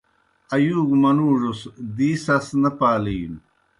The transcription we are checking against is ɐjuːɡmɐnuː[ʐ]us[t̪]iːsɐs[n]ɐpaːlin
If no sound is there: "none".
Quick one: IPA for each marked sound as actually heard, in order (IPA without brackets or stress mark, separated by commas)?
ʐ, d̪, n